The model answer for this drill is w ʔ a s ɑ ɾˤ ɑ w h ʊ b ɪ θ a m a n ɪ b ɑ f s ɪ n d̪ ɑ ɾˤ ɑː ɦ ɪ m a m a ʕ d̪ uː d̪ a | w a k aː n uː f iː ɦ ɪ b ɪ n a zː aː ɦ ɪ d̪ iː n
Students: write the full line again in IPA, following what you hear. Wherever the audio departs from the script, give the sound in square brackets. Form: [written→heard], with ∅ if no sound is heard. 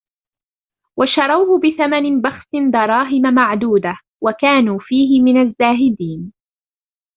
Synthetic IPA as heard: w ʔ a [s→ʃ] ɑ ɾˤ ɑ w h ʊ b ɪ θ a m a n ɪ b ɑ [f→x] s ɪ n d̪ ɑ ɾˤ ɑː ɦ ɪ m a m a ʕ d̪ uː d̪ a | w a k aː n uː f iː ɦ ɪ [b→m] ɪ n a zː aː ɦ ɪ d̪ iː n